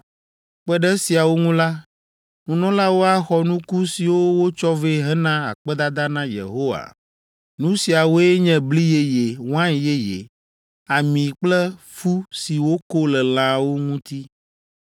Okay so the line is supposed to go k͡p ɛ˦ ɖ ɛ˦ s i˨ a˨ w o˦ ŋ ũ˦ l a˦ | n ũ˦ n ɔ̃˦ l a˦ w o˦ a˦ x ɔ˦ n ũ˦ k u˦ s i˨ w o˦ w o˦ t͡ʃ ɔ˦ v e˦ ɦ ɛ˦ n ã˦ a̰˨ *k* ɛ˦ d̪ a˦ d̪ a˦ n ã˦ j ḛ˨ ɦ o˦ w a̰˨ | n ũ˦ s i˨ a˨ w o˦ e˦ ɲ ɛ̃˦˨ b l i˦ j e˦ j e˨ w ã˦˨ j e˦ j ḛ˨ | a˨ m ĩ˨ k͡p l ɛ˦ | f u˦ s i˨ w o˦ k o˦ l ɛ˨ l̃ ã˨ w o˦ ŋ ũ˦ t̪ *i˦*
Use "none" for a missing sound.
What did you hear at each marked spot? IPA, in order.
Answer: k͡p, i˦

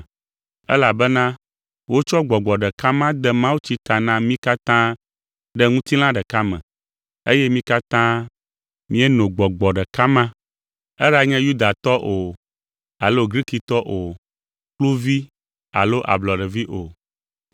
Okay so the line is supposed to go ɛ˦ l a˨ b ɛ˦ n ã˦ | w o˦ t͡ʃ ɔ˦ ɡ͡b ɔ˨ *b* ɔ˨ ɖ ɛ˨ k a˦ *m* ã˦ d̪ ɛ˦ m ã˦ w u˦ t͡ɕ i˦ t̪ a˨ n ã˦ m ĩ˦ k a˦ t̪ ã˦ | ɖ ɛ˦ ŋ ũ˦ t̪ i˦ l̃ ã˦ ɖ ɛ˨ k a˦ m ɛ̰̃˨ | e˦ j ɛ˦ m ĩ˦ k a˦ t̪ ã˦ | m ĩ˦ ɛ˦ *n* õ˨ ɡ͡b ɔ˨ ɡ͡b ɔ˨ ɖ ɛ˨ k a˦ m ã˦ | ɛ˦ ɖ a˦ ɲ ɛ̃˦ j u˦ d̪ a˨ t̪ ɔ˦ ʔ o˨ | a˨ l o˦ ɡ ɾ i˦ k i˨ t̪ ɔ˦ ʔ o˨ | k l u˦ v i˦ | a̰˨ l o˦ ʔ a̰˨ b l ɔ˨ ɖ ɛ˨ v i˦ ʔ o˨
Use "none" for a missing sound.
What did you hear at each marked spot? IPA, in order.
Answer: ɡ͡b, m, n

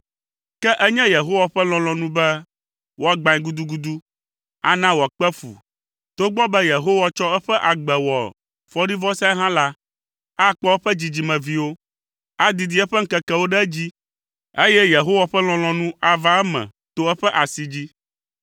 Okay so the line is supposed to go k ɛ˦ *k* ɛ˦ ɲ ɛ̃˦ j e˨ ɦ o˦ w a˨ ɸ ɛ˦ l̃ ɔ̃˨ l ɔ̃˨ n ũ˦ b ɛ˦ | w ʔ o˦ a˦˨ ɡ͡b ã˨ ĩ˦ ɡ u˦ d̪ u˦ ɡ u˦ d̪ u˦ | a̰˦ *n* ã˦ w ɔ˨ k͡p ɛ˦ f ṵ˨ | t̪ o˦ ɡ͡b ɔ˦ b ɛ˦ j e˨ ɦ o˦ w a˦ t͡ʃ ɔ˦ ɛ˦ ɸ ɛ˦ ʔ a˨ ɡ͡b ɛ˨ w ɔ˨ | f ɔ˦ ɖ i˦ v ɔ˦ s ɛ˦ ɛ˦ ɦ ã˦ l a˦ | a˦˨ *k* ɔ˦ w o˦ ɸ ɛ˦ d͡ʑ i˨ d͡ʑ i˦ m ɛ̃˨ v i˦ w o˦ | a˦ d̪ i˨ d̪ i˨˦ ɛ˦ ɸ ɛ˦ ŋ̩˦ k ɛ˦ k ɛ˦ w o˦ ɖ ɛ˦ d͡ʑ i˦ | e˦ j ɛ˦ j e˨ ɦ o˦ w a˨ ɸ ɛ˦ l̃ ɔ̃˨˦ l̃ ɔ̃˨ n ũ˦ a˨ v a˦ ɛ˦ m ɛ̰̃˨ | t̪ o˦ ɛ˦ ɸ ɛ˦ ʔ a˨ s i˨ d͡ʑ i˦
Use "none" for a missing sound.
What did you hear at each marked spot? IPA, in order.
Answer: ʔ, n, k͡p

